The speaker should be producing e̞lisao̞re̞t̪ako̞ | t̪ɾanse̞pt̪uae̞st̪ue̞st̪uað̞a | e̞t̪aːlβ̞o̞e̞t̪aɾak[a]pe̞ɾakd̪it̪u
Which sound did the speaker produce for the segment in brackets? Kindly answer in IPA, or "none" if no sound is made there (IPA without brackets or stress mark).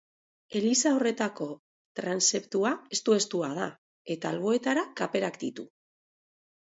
a